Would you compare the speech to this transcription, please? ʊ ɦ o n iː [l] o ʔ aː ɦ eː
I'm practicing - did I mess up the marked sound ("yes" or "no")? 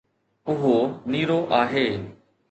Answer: yes